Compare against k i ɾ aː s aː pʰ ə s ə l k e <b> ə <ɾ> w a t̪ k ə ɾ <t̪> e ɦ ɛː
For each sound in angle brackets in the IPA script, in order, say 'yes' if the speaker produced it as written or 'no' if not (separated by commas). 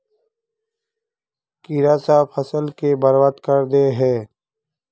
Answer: yes, yes, no